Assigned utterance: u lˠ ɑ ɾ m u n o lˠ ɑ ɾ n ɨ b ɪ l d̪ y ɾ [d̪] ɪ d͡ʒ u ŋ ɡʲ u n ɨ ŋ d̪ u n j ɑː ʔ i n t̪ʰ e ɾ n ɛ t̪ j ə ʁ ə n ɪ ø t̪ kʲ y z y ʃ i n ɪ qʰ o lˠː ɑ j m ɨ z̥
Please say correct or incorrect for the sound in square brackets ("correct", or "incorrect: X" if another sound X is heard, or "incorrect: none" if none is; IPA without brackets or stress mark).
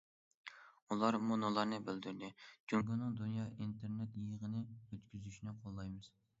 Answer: correct